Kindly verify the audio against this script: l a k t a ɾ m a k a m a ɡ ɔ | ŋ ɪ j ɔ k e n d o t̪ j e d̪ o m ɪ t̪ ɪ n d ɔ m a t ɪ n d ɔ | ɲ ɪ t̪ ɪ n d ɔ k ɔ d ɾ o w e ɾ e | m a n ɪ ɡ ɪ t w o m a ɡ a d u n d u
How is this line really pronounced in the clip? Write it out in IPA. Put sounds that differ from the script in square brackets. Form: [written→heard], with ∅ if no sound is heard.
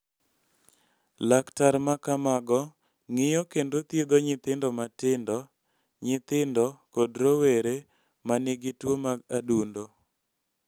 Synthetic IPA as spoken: l a k t a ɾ m a k a m a ɡ ɔ | ŋ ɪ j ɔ k e n d o t̪ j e d̪ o [m→ɲ] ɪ t̪ ɪ n d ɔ m a t ɪ n d ɔ | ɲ ɪ t̪ ɪ n d ɔ k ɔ d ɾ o w e ɾ e | m a n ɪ ɡ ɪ t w o m a ɡ a d u n d [u→o]